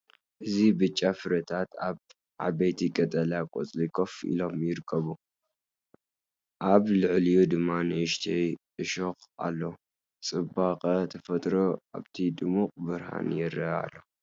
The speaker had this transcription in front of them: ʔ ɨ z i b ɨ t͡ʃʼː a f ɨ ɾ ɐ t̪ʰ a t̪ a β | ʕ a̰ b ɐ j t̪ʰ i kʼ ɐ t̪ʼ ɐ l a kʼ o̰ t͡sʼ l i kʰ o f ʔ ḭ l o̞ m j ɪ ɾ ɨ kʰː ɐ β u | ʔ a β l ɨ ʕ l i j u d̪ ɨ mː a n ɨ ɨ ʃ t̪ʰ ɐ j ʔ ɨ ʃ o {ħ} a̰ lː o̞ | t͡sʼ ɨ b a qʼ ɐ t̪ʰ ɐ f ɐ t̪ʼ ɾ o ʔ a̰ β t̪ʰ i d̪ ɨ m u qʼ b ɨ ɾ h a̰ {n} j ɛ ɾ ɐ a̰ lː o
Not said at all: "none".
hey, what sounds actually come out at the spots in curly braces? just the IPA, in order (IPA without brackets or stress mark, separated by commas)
x, n